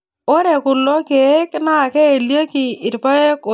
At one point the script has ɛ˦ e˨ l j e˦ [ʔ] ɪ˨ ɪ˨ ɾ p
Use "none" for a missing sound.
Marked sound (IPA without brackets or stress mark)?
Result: k